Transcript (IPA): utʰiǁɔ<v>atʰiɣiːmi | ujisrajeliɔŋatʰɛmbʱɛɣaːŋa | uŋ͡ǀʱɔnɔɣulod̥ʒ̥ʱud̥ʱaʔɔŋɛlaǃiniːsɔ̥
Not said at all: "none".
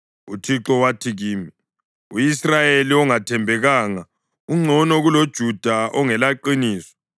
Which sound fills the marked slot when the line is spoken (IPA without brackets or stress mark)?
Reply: w